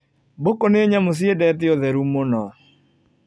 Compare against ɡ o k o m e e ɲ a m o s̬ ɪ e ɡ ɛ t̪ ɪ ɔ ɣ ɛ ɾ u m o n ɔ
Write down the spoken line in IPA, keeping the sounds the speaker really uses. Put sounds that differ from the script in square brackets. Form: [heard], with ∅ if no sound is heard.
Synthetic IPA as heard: [b] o k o [n] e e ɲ a m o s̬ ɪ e [d] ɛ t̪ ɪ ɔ [ð] ɛ ɾ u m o n ɔ